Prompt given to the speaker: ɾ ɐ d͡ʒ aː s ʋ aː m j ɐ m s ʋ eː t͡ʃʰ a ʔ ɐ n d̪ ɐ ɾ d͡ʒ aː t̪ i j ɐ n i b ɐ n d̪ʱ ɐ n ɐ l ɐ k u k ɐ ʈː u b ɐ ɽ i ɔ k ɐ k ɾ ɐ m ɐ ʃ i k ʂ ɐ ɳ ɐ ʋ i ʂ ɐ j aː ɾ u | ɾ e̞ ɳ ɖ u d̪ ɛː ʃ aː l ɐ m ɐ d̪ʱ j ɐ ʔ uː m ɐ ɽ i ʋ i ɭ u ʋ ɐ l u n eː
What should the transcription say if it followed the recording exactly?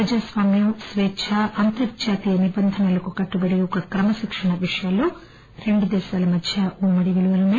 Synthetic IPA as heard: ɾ ɐ d͡ʒ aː s ʋ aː m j ɐ m s ʋ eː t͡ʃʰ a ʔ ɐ n t̪ ɐ ɾ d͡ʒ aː t̪ i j ɐ n i b ɐ n d̪ʱ ɐ n ɐ l ɐ k u k ɐ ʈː u b ɐ ɽ i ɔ k ɐ k ɾ ɐ m ɐ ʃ i k ʂ ɐ ɳ ɐ ʋ i ʂ ɐ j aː l u | ɾ e̞ ɳ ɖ u d̪ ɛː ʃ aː l ɐ m ɐ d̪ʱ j ɐ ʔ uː m ɐ ɽ i ʋ i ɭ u ʋ ɐ l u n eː